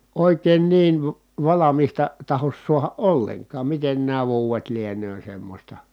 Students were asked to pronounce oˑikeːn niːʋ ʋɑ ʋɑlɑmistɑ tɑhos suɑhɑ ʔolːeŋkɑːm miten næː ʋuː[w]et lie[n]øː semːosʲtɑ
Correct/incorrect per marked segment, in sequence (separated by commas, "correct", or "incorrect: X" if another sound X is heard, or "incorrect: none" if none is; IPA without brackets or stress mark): correct, correct